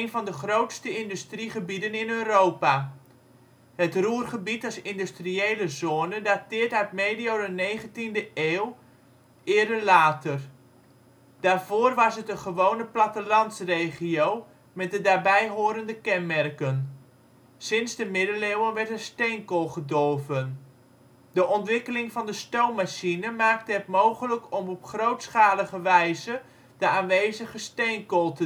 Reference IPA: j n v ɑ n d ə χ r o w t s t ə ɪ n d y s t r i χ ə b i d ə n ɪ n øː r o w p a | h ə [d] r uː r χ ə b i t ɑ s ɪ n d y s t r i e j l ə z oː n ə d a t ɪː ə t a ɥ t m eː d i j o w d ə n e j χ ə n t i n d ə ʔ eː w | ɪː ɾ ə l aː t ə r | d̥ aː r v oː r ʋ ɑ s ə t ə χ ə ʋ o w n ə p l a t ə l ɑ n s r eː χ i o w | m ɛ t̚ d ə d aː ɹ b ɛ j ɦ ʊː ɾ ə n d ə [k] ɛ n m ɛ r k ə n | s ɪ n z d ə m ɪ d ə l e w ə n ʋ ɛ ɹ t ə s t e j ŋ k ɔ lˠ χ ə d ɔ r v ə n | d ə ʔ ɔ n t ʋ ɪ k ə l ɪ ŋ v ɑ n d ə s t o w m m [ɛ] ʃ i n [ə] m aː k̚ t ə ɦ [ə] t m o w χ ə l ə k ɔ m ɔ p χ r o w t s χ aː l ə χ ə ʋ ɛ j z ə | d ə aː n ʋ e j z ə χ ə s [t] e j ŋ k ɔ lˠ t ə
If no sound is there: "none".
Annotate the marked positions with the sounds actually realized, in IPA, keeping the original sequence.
t, k, a, ə, ə, t

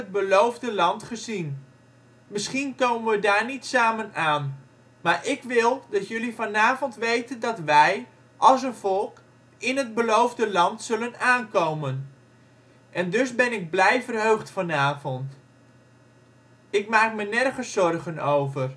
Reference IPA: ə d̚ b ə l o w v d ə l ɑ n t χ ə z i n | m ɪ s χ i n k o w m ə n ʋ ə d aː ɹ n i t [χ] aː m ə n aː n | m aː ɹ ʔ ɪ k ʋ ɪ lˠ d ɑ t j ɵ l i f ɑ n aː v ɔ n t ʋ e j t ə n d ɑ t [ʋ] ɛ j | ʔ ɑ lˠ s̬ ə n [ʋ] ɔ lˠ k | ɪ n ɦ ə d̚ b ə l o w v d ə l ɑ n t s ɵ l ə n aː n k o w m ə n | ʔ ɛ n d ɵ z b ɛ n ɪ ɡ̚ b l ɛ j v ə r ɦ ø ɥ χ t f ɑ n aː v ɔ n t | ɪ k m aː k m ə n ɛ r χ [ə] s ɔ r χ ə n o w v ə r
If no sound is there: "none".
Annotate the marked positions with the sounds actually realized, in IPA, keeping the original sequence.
s, ʋ, v, ə

